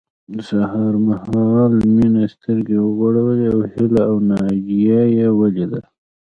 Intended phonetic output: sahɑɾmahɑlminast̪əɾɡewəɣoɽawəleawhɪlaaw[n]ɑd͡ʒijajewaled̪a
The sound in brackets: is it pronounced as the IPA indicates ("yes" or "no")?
yes